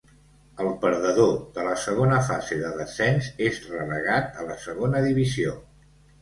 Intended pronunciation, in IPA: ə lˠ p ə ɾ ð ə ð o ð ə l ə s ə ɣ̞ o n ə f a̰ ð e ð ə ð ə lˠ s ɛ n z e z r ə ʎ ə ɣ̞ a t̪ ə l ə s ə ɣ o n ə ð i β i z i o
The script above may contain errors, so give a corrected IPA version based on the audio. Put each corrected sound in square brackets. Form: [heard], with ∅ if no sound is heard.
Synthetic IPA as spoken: ə lˠ p ə ɾ ð ə ð o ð ə l ə s ə ɣ̞ o n ə f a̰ [z] e ð ə ð ə [∅] s ɛ n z e z r ə [l] ə ɣ̞ a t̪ ə l ə s ə ɣ o n ə ð i β i z i o